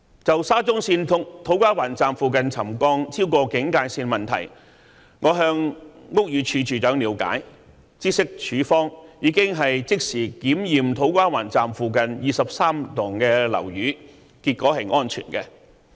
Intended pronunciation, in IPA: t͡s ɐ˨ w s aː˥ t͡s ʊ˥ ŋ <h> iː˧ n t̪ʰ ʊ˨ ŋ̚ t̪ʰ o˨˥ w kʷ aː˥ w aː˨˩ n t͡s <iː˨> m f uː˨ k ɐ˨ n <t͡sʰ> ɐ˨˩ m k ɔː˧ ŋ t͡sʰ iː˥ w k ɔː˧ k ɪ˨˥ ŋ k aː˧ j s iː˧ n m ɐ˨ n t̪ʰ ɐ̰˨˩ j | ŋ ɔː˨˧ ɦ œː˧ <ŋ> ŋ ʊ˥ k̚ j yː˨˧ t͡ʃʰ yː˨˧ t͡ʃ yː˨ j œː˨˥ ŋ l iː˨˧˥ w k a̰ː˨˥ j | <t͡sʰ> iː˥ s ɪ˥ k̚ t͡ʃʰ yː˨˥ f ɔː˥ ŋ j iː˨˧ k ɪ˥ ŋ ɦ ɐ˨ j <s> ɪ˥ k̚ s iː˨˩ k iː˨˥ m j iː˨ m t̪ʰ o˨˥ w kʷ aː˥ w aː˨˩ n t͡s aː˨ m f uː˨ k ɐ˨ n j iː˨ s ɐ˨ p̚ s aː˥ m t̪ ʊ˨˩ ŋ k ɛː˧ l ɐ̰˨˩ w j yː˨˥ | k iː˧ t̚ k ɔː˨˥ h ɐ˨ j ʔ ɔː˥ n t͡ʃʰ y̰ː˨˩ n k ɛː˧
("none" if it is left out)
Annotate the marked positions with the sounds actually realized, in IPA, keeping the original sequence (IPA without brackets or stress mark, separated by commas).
s, aː˨, t͡sʰ, ŋ, t͡s, t͡s